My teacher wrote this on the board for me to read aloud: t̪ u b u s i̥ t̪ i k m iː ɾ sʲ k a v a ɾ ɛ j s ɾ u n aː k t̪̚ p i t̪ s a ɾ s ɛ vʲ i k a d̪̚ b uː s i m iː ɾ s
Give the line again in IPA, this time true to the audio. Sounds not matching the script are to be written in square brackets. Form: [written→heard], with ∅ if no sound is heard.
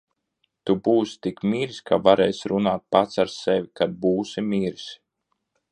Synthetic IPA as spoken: t̪ u b [u→uː] s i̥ t̪ i k m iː ɾ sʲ k a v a ɾ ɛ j s ɾ u n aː [k→∅] t̪̚ p [i→a] t̪ s a ɾ s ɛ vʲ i k a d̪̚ b uː s i m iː ɾ s